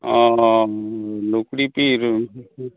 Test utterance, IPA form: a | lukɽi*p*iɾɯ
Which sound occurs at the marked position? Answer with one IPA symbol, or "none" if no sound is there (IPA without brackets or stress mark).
p